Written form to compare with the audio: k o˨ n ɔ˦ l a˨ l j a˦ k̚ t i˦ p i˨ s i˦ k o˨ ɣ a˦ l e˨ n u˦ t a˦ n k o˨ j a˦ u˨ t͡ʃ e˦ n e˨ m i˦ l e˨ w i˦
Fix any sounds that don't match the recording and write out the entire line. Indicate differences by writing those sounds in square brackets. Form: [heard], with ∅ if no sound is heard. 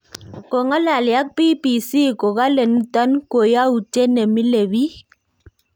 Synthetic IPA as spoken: k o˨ [ŋ] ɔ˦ l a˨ l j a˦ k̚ [p] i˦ p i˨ s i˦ k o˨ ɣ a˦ l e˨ n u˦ t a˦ n k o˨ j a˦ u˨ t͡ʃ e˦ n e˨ m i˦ l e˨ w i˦